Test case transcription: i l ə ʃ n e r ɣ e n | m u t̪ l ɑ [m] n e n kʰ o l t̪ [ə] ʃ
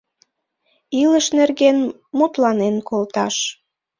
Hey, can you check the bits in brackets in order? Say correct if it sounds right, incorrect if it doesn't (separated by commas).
incorrect, incorrect